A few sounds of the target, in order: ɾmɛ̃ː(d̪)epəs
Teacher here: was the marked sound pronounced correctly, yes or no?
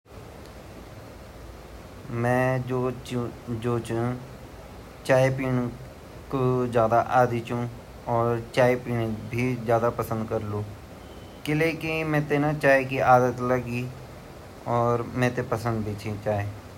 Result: no